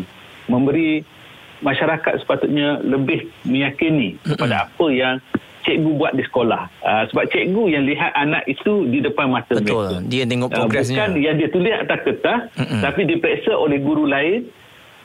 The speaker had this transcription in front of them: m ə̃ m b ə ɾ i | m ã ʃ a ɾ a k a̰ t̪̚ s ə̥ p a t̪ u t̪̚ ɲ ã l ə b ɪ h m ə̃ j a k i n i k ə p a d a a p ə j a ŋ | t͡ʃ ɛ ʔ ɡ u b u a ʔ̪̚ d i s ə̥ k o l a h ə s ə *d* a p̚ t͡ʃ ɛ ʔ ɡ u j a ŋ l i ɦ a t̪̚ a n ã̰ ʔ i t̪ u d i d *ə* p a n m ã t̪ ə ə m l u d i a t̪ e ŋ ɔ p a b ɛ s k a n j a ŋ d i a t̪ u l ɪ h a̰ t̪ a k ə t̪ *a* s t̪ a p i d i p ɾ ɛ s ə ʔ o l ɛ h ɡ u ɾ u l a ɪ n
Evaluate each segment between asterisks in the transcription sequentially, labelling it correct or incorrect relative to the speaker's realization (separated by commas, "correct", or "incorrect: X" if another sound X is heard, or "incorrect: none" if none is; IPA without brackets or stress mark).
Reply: incorrect: b, correct, correct